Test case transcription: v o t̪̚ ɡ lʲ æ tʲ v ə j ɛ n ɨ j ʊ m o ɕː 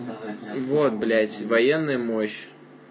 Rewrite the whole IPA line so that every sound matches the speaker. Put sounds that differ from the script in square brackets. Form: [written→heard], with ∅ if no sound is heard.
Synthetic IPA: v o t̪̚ [ɡ→b] lʲ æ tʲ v [ə→ɐ] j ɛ [n→nː] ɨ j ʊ m o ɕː